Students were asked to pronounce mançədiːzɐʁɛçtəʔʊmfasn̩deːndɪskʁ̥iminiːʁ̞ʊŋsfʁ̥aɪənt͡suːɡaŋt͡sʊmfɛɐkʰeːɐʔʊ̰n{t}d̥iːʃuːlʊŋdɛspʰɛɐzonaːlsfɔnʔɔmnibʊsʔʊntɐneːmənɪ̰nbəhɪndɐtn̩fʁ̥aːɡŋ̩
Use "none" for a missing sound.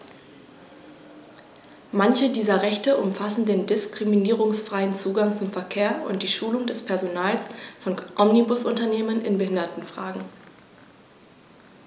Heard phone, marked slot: t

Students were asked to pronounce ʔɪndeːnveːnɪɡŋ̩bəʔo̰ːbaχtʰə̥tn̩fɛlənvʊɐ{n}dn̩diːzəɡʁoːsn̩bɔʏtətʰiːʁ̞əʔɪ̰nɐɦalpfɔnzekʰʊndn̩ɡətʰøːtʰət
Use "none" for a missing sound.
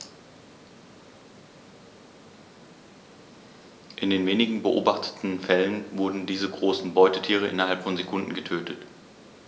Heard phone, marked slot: none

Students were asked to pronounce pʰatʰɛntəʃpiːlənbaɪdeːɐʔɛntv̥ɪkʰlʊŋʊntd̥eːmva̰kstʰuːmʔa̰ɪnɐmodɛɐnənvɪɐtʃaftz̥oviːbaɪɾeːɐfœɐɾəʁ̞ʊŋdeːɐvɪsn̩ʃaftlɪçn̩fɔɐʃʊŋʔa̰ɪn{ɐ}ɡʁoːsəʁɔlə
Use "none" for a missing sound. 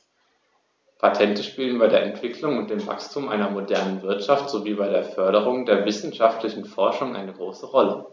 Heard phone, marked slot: ə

